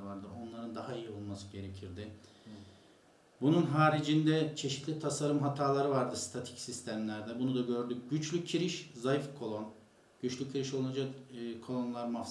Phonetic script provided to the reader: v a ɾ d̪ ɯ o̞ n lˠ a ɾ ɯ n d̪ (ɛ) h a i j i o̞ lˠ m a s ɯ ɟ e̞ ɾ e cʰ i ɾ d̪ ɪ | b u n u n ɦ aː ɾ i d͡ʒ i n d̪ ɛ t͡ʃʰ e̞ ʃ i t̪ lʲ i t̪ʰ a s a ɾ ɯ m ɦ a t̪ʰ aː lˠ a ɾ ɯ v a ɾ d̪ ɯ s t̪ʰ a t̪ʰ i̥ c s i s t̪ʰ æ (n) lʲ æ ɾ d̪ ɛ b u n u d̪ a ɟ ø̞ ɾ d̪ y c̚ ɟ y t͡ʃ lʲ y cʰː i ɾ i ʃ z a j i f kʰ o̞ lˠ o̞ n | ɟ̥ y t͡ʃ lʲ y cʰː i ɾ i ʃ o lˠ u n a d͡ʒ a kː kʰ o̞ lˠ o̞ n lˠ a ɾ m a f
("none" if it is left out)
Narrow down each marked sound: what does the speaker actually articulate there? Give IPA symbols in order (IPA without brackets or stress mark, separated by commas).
a, m